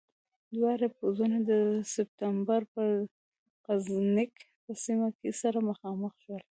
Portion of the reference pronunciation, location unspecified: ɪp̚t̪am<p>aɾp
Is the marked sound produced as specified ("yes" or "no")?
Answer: no